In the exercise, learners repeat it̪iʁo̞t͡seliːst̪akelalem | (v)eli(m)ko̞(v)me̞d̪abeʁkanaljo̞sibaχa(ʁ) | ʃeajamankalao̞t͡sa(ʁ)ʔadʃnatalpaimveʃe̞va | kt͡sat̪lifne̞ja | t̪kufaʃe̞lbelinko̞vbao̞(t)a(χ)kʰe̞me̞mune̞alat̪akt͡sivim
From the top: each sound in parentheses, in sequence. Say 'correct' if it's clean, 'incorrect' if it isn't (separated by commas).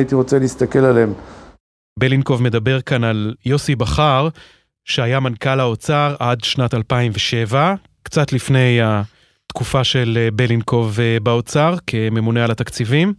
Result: incorrect, incorrect, correct, correct, correct, incorrect, incorrect